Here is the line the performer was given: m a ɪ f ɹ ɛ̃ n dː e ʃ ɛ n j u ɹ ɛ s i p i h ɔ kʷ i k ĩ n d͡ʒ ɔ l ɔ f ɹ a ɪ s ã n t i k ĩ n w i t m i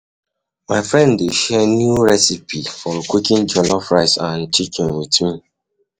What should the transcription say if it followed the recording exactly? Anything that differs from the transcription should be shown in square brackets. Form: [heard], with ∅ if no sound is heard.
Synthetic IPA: m a ɪ f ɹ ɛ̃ n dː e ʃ ɛ n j u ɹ ɛ s i p i [f] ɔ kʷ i k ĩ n d͡ʒ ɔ l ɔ f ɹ a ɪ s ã n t i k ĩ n w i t m i